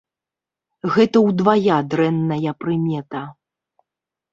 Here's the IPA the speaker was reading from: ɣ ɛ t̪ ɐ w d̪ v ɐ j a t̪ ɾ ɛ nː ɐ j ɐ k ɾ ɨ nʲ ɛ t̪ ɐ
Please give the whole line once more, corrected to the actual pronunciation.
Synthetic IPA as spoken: ɣ ɛ t̪ ɐ w d̪ v a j a d̪ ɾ ɛ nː ɐ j ɐ p ɾ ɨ mʲ ɛ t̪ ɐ